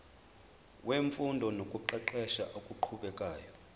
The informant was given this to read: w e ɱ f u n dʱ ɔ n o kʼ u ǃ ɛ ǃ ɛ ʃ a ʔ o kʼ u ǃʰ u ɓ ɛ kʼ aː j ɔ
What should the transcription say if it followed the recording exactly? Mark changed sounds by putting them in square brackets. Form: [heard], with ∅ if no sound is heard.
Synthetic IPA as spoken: w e ɱ f u n dʱ ɔ n o kʼ u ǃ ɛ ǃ ɛ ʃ a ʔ o kʼ u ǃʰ u ɓ ɛ kʼ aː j ɔ